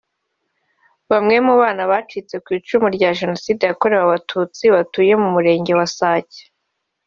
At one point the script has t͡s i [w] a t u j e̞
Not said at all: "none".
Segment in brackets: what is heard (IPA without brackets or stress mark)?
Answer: β